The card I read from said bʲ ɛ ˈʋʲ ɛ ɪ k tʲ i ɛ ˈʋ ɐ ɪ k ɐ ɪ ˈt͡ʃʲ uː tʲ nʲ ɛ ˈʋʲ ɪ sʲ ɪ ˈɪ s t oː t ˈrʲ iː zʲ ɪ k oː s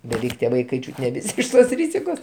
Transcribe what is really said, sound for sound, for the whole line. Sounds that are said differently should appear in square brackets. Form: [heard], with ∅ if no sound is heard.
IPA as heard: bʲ ɛ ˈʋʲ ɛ ɪ k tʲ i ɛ ˈʋ ɐ ɪ k ɐ ɪ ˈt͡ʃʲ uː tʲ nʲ ɛ ˈʋʲ ɪ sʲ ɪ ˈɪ [ʃ] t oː [s] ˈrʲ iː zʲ ɪ k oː s